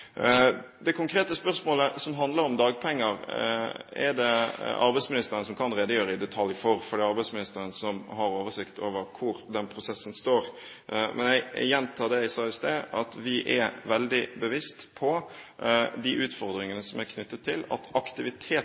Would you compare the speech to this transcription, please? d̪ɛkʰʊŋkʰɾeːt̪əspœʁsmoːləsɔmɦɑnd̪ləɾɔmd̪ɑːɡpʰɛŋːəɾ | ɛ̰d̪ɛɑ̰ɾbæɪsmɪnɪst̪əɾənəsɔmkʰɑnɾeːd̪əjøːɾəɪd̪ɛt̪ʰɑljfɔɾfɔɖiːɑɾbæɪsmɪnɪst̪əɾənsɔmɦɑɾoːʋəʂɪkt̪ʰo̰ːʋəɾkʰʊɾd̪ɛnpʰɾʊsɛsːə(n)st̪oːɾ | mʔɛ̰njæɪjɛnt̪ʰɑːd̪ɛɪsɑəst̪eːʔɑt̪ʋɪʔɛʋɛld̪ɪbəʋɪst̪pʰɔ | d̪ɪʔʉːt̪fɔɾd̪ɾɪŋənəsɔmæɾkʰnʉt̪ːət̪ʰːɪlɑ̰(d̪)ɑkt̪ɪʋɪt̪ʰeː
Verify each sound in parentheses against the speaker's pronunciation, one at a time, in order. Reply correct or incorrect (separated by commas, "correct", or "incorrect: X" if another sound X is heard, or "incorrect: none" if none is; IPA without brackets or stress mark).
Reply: correct, incorrect: t̪